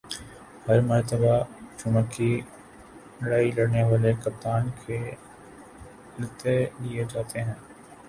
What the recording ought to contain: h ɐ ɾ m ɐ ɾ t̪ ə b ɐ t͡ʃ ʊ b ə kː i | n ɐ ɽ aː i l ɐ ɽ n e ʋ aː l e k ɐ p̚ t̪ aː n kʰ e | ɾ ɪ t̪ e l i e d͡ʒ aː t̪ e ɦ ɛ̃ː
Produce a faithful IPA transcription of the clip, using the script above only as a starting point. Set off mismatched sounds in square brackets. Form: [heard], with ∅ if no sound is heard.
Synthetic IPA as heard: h ɐ ɾ m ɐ ɾ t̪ ə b [a] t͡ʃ ʊ [m] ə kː i | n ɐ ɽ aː i l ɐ ɽ n e ʋ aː l e k ɐ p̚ t̪ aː n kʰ e | [l] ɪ t̪ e l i e d͡ʒ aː t̪ e ɦ ɛ̃ː